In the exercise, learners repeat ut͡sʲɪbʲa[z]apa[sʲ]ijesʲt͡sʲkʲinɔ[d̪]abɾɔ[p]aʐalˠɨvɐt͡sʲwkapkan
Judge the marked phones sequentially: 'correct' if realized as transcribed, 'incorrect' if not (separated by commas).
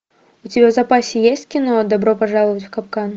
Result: correct, correct, correct, correct